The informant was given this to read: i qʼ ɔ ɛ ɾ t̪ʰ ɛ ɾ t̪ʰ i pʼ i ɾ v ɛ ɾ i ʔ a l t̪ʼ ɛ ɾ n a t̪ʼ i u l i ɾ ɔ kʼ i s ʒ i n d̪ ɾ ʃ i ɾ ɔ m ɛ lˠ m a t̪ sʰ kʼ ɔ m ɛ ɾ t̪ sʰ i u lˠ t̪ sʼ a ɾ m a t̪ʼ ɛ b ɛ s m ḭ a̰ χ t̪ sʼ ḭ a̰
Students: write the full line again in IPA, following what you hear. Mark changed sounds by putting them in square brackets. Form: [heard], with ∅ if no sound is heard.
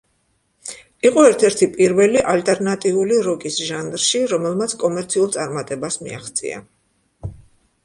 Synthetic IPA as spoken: i qʼ ɔ ɛ ɾ t̪ʰ ɛ ɾ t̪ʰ i pʼ i ɾ v ɛ [l] i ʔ a l t̪ʼ ɛ ɾ n a t̪ʼ i u l i ɾ ɔ kʼ i s ʒ [a] n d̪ ɾ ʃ i ɾ ɔ m ɛ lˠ m a t̪ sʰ kʼ ɔ m ɛ ɾ t̪ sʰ i u lˠ t̪ sʼ a ɾ m a t̪ʼ ɛ b [a] s m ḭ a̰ χ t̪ sʼ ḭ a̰